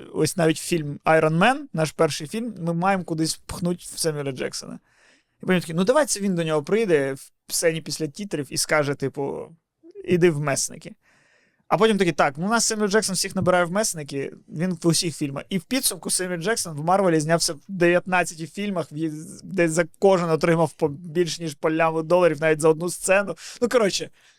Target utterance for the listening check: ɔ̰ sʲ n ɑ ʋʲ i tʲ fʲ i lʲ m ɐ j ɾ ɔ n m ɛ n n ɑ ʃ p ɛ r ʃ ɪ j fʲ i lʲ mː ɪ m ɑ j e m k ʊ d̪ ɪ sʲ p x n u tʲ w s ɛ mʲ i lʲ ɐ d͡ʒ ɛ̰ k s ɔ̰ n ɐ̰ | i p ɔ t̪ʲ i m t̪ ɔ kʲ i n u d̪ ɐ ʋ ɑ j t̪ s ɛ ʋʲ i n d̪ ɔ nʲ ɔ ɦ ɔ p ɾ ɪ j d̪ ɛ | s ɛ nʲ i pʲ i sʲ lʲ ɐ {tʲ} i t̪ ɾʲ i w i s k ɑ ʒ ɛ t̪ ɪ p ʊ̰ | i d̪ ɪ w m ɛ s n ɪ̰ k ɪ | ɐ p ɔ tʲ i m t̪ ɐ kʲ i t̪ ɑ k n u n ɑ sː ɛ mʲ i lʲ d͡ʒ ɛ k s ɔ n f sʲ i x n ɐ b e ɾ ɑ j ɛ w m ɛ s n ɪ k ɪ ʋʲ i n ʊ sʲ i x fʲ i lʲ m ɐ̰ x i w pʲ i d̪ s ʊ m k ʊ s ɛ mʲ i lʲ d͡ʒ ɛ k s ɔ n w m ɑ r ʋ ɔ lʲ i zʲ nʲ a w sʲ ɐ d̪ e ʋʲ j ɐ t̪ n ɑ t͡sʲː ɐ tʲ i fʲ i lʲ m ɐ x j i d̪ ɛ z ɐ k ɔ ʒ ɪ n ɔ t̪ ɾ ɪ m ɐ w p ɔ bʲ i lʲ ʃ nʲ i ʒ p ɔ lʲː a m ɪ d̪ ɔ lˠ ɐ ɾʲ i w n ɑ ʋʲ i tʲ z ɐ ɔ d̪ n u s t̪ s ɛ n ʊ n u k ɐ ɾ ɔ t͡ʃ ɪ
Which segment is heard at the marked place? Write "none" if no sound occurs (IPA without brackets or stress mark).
tʲ